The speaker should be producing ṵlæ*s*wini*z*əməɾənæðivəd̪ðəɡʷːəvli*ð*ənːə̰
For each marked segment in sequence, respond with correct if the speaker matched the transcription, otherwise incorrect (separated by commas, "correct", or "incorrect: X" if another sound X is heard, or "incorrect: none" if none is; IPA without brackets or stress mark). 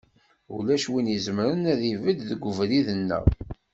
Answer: incorrect: ʃ, correct, correct